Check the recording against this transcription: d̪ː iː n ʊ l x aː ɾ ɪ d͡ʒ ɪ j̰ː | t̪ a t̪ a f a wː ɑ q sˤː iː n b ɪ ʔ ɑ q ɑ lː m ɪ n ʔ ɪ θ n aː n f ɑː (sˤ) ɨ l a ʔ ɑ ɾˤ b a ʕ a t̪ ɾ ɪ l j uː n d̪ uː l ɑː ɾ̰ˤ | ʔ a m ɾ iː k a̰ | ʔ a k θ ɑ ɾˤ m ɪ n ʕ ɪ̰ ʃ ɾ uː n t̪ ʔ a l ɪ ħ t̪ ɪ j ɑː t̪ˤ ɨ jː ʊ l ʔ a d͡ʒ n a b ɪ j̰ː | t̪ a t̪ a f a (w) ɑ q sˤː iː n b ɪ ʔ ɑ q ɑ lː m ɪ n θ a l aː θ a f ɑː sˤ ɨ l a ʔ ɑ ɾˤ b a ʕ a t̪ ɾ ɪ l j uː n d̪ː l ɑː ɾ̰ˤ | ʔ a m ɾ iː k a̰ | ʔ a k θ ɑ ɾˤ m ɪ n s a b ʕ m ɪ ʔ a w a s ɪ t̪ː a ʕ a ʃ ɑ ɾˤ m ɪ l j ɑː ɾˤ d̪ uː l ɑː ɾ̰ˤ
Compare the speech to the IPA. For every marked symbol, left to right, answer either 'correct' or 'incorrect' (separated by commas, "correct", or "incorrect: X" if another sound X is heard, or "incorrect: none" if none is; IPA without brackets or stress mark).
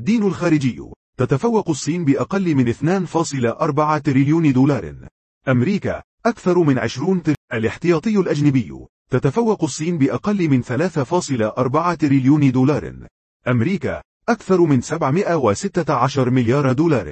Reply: correct, incorrect: wː